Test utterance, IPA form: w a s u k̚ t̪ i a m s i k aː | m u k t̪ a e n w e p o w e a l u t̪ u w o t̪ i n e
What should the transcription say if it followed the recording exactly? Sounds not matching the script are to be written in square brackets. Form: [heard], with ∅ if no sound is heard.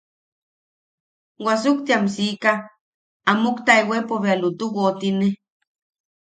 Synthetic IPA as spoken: w a s u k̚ t̪ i a m s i k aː | m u k t̪ a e [∅] w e p o [β] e a l u t̪ u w o t̪ i n e